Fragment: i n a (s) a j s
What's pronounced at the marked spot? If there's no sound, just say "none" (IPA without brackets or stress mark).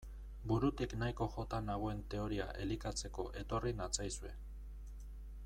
t͡s